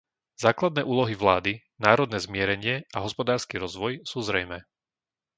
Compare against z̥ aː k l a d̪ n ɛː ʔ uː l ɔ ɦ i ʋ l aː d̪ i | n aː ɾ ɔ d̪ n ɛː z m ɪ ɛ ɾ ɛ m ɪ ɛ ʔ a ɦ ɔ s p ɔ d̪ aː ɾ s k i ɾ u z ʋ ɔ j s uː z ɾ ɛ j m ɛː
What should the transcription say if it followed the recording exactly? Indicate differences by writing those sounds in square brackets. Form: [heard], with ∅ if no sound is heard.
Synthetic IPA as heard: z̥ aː k l a d̪ n ɛː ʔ uː l ɔ ɦ i ʋ l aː d̪ i | n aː ɾ ɔ d̪ n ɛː z m ɪ ɛ ɾ ɛ [ɲ] ɪ ɛ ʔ a ɦ ɔ s p ɔ d̪ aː ɾ s k i ɾ [ɔ] z ʋ ɔ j s uː z ɾ ɛ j m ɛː